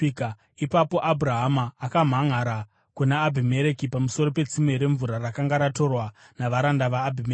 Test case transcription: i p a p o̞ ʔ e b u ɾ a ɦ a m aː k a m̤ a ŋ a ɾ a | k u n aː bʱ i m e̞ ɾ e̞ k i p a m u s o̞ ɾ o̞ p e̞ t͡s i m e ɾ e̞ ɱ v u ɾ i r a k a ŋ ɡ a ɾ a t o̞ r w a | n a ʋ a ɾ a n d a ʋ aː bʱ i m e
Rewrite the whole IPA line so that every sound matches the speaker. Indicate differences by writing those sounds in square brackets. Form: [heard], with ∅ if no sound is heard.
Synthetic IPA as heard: i p a p o̞ ʔ [a] b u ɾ a ɦ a m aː k a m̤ a ŋ a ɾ a | k u n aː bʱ i m e̞ ɾ e̞ k i p a m u s o̞ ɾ o̞ p e̞ t͡s i m e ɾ e̞ ɱ v u ɾ [a] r a k a ŋ ɡ a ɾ a t o̞ r w a | n a ʋ a ɾ a n d a ʋ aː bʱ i m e